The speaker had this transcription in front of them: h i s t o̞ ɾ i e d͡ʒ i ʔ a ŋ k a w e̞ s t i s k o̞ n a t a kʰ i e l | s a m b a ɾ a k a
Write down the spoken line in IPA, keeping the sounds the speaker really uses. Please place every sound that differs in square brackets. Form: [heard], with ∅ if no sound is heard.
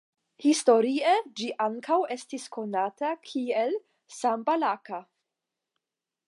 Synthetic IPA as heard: h i s t o̞ ɾ i e d͡ʒ i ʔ a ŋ k a w e̞ s t i s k o̞ n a t a kʰ i e l | s a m b a [l] a k a